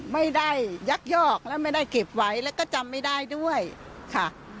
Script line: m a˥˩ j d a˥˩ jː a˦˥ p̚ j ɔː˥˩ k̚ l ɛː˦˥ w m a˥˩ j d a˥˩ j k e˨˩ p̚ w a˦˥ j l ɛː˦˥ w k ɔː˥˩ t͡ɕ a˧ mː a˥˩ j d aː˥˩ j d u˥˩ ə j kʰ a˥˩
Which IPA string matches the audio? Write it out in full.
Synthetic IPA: m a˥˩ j d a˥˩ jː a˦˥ k̚ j ɔː˥˩ k̚ l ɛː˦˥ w m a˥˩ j d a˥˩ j k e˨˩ p̚ w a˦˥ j l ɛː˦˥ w k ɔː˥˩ t͡ɕ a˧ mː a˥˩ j d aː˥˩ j d u˥˩ ə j kʰ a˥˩